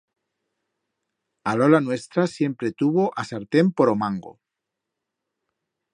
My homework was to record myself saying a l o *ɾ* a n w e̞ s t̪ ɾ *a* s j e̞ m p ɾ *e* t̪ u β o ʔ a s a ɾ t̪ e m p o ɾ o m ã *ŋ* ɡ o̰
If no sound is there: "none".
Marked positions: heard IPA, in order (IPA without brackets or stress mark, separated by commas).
l, a, e, ŋ